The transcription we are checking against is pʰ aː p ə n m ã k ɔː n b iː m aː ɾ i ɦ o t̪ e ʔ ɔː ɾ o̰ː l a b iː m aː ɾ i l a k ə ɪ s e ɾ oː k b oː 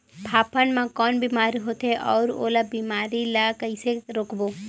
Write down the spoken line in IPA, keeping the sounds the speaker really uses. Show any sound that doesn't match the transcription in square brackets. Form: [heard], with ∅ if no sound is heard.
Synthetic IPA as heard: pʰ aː p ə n m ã k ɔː n b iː m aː ɾ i ɦ o t̪ e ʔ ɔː ɾ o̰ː l a b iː m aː ɾ i l a k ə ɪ s e ɾ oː k b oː